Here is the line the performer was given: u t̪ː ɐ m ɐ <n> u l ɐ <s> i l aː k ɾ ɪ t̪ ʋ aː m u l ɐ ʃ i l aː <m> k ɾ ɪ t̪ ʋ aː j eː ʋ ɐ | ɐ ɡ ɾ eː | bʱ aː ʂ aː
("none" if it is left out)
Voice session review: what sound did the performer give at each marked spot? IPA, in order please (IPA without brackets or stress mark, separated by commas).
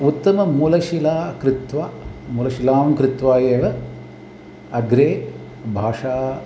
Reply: m, ʃ, m